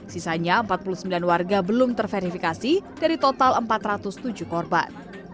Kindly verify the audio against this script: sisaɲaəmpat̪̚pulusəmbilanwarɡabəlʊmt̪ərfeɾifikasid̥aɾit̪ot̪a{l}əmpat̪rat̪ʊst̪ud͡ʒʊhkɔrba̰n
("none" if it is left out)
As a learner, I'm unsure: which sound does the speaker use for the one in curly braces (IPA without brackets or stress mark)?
l